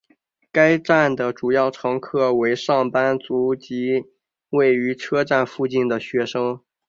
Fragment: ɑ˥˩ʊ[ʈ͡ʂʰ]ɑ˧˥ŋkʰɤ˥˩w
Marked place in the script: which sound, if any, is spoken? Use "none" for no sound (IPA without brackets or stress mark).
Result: ʈ͡ʂʰ